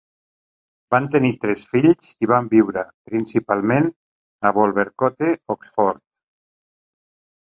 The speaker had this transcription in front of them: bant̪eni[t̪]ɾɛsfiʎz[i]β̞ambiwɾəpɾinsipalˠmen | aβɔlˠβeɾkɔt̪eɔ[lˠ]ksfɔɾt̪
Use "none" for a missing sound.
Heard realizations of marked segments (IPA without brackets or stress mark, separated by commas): t̪, i, none